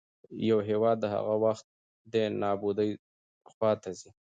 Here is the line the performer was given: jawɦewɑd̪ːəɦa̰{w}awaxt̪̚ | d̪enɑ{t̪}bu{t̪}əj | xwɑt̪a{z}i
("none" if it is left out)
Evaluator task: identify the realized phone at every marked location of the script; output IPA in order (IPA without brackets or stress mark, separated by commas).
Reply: ɣ, none, d̪, z